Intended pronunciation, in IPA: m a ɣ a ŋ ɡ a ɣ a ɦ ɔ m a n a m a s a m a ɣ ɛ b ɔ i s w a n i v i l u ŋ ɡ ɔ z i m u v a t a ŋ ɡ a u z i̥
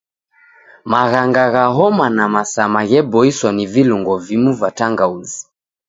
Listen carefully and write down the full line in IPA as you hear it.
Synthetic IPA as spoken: m a ɣ a ŋ ɡ a ɣ a ɦ ɔ m a n a m a s a m a ɣ ɛ b ɔ i s w a n i v i l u ŋ ɡ ɔ v i m u v a t a ŋ ɡ a u z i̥